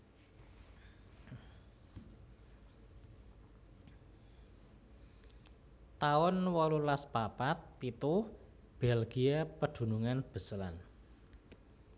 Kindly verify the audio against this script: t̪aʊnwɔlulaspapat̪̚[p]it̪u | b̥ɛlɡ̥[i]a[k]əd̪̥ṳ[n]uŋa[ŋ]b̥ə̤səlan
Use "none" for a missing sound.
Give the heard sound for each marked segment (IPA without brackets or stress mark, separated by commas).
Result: p, i, p, n, n